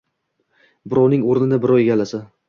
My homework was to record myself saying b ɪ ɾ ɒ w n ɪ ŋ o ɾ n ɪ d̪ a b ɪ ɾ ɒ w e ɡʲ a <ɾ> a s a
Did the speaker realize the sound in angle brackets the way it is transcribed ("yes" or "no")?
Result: no